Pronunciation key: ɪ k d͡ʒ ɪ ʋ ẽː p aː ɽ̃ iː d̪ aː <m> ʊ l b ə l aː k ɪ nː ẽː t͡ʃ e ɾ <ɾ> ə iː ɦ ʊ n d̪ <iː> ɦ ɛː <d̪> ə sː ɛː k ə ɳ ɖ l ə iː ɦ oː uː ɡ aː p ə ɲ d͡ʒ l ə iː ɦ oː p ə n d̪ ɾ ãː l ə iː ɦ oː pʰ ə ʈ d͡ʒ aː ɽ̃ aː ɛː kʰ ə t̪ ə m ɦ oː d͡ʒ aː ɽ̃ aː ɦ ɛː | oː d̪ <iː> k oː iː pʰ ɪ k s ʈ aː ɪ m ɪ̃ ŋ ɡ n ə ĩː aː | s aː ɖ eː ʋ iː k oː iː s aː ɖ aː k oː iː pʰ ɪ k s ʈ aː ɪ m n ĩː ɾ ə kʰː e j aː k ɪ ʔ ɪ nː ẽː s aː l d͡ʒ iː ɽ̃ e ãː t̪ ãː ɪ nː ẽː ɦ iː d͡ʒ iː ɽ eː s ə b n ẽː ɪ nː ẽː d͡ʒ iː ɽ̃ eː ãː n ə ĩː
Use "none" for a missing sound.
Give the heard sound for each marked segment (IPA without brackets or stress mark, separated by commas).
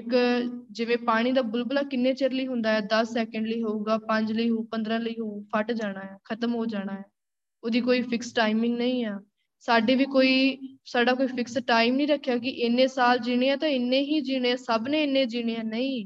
b, l, aː, d̪, iː